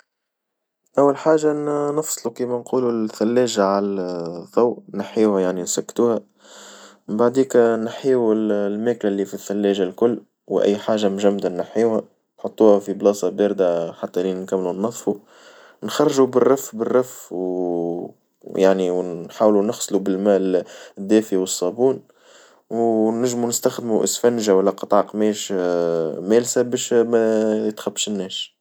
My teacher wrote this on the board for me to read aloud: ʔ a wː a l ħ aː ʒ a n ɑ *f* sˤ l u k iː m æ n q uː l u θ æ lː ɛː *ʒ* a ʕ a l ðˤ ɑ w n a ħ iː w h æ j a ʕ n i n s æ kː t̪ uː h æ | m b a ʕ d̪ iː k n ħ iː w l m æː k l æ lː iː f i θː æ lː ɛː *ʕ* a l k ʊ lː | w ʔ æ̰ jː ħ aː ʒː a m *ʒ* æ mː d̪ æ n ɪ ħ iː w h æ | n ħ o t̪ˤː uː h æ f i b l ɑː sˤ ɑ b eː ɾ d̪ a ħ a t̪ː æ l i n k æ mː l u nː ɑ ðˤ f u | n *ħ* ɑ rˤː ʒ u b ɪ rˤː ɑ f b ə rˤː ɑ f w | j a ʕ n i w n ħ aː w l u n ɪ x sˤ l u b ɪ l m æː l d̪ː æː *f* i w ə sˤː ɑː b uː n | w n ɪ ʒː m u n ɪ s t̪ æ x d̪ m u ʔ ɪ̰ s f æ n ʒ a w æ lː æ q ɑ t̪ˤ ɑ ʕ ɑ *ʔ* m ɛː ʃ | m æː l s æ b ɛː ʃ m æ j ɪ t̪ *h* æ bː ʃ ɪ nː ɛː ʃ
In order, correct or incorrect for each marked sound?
correct, correct, incorrect, correct, incorrect, correct, incorrect, incorrect

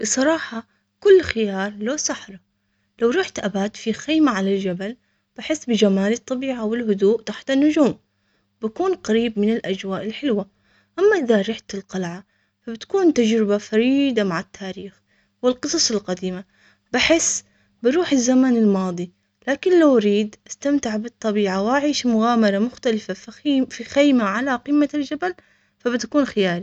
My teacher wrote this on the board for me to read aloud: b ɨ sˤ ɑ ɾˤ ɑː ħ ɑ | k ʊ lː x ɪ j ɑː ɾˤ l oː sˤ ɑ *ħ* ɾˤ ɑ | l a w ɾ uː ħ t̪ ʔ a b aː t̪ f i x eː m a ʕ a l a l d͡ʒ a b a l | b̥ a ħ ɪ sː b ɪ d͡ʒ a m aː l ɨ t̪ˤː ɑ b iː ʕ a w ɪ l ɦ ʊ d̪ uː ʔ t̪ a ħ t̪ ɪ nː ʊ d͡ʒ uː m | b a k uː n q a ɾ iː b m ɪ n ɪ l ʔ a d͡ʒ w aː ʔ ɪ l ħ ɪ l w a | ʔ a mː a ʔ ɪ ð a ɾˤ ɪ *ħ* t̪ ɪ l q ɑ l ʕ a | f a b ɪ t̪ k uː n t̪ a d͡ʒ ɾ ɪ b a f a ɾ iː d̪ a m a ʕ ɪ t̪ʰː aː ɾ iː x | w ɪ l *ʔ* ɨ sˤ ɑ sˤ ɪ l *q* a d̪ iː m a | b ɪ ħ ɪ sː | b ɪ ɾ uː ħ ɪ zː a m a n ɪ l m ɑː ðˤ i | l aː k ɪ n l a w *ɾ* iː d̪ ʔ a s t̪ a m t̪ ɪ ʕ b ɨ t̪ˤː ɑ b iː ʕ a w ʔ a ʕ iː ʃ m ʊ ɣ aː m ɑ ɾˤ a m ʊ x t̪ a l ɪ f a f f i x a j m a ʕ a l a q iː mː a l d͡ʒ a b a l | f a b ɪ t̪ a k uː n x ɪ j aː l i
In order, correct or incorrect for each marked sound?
correct, correct, incorrect, correct, correct

